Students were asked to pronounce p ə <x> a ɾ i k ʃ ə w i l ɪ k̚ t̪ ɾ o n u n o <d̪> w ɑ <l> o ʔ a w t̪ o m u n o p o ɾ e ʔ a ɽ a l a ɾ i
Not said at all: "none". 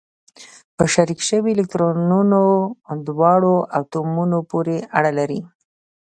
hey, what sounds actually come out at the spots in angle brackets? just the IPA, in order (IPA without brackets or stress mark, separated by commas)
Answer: ʃ, d̪, ɽ